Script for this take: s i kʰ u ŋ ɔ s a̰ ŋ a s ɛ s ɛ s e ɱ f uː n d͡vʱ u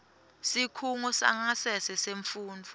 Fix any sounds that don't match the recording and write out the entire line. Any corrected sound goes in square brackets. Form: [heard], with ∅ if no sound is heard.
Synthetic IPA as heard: s i kʰ u ŋ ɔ s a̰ ŋ a s ɛ s ɛ s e ɱ f uː n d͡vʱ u